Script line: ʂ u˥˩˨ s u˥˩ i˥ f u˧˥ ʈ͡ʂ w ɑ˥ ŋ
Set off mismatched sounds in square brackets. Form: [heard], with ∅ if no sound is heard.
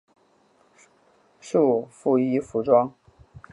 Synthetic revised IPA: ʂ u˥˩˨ [f] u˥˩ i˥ f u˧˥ ʈ͡ʂ w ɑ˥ ŋ